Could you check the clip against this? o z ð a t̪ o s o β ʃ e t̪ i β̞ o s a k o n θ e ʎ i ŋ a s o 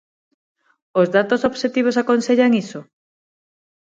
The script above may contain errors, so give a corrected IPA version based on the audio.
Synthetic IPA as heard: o z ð a t̪ o s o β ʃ e t̪ i β̞ o s a k o n s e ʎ a ŋ i s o